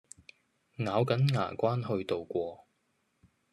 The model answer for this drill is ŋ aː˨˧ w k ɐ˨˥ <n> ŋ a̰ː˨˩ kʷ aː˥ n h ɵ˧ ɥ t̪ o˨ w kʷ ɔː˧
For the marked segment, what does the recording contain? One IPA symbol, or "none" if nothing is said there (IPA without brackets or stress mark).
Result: n